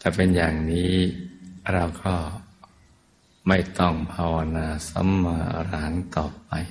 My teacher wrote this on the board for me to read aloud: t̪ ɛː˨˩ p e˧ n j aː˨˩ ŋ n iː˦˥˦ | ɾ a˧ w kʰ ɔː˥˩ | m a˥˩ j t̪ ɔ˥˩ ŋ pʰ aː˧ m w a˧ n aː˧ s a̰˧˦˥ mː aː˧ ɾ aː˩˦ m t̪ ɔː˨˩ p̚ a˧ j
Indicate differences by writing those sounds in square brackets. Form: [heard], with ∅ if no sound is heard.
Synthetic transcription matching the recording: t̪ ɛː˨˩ p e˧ n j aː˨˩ ŋ n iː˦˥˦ | ɾ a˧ w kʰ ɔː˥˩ | m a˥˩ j t̪ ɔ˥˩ ŋ pʰ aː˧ [∅] w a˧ n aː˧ s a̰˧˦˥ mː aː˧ ɾ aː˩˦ [ŋ] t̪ ɔː˨˩ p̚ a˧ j